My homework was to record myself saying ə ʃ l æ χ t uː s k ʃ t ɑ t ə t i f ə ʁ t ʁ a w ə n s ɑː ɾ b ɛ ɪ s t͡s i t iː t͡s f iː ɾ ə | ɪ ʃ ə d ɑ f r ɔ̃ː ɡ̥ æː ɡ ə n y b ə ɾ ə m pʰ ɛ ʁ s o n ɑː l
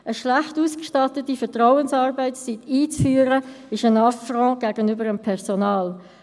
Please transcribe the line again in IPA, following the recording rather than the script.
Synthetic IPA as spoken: ə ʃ l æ χ t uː s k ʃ t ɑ t ə t i f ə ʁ t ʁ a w ə n s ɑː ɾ b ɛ ɪ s t͡s i t iː t͡s f yː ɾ ə | ɪ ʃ ə n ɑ f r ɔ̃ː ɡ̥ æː ɡ ə n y b ə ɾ ə m pʰ ɛ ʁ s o n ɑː l